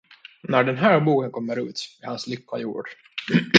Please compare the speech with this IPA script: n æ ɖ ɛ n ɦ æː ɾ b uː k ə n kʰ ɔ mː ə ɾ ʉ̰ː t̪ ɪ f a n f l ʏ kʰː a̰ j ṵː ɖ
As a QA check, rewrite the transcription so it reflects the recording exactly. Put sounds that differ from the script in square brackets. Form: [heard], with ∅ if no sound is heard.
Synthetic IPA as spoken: n æ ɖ ɛ n ɦ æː ɾ b uː k ə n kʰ ɔ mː ə ɾ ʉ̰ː t̪ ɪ [h] a n [s] l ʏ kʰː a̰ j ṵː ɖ